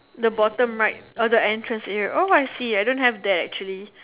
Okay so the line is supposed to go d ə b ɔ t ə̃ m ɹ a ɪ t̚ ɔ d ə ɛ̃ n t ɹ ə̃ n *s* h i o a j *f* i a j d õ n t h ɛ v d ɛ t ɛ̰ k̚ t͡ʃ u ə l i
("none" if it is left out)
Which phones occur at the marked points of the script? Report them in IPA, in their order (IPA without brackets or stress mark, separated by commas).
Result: s, s